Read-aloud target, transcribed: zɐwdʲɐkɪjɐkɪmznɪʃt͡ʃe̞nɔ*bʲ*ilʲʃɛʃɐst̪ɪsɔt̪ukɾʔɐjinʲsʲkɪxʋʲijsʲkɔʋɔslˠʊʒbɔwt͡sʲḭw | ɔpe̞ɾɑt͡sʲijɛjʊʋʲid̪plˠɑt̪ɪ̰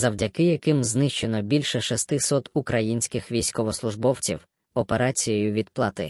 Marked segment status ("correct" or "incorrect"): correct